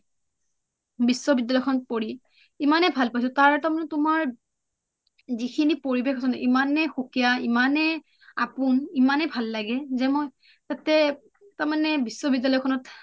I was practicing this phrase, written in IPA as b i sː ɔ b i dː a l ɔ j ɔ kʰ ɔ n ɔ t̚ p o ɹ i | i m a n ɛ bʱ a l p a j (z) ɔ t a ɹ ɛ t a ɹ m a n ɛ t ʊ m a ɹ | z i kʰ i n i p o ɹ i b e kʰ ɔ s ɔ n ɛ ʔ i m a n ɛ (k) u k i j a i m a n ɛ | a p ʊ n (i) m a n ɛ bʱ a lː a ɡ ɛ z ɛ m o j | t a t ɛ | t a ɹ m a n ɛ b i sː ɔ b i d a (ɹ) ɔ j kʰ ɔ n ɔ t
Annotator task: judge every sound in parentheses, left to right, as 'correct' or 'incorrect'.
incorrect: s, incorrect: x, correct, incorrect: l

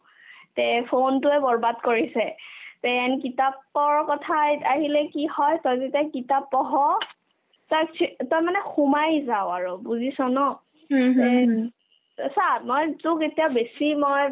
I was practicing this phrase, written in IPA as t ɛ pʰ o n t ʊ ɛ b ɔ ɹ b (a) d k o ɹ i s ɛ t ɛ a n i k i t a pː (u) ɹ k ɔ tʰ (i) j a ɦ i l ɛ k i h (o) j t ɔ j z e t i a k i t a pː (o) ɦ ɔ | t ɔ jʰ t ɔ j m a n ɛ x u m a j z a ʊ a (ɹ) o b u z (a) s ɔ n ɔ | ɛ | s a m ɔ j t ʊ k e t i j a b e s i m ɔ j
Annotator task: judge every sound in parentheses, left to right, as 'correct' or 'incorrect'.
correct, incorrect: ɔ, incorrect: a, incorrect: ɔ, incorrect: ɔ, correct, incorrect: i

